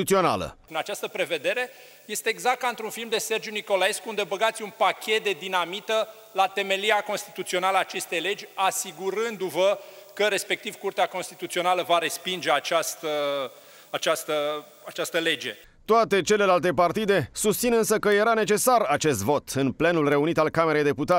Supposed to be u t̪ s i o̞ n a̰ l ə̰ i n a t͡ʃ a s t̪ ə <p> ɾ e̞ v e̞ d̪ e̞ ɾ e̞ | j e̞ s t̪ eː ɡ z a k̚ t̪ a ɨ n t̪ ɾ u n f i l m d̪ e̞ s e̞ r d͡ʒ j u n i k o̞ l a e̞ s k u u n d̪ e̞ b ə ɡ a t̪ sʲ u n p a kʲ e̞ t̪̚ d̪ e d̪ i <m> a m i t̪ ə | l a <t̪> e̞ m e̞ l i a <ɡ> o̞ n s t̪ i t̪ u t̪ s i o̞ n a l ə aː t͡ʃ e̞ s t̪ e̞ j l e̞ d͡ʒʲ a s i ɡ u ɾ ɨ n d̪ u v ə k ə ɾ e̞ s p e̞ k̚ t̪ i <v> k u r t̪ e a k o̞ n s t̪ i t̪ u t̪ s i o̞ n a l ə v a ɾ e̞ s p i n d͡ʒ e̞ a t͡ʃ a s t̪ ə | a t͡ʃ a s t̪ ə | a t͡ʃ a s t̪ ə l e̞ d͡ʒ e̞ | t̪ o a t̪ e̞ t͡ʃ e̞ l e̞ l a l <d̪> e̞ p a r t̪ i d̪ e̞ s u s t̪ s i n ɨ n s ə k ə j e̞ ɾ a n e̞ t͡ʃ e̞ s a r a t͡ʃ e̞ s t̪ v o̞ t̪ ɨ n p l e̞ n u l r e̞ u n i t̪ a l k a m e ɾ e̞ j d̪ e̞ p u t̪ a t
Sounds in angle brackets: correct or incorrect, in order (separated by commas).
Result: correct, incorrect, correct, incorrect, correct, incorrect